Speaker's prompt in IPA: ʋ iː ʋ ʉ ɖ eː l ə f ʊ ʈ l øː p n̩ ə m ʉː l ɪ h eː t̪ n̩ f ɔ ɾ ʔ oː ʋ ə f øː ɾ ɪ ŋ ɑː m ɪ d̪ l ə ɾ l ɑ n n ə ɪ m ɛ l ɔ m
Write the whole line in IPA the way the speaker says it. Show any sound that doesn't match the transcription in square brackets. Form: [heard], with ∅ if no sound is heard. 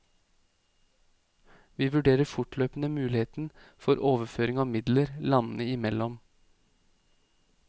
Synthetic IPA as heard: ʋ iː ʋ ʉ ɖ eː [ɾ] ə f ʊ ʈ l øː p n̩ ə m ʉː l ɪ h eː t̪ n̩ f ɔ ɾ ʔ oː ʋ ə f øː ɾ ɪ ŋ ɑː m ɪ d̪ l ə ɾ l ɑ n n ə ɪ m ɛ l ɔ m